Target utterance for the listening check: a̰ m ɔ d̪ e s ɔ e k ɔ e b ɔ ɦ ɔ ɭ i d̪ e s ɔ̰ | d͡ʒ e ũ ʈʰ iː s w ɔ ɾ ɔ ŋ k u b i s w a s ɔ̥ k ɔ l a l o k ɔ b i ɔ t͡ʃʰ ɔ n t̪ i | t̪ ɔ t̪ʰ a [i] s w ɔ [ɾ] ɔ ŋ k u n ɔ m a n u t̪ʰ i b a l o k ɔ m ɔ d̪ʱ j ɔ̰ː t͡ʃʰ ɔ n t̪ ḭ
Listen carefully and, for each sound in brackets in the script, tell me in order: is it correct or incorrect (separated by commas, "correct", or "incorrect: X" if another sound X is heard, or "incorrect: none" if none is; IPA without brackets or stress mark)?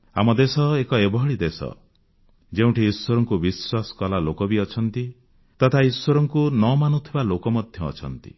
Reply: correct, correct